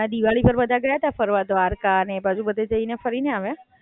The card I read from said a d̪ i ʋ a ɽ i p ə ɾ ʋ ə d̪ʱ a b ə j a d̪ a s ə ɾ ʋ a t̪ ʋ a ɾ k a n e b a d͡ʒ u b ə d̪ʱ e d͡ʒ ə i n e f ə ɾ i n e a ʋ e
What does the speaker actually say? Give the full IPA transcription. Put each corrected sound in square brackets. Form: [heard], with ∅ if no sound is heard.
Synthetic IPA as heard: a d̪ i ʋ a [ɭ] i p ə ɾ ʋ ə d̪ʱ a [ɡ] ə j a [t̪] a [f] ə ɾ ʋ a [d̪] ʋ a ɾ k a n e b a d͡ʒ u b ə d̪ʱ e d͡ʒ ə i n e f ə ɾ i n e a ʋ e

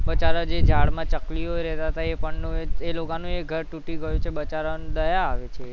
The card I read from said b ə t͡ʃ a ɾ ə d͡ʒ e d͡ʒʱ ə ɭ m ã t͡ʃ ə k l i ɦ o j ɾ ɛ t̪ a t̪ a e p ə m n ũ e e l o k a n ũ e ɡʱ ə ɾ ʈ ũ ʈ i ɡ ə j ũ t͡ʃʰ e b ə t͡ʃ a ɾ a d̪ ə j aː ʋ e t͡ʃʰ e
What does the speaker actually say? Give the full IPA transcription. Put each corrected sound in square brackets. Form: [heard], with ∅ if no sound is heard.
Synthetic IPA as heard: b ə t͡ʃ a ɾ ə d͡ʒ e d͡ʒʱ [a] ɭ m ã t͡ʃ ə k l i ɦ o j ɾ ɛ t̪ a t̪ a e p ə [ɳ] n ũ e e l o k a n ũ e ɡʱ ə ɾ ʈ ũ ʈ i ɡ ə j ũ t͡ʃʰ e b ə t͡ʃ a ɾ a d̪ ə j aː ʋ e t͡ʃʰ e

